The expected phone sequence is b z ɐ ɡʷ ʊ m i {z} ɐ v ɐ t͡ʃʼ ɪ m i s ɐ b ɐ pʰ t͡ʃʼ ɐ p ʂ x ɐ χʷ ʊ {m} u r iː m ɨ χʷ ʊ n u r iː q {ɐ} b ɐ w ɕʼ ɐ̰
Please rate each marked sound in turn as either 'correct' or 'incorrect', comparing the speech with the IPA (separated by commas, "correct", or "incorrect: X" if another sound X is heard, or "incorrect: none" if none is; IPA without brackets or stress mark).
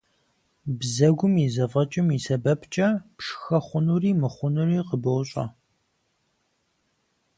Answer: correct, incorrect: n, incorrect: ə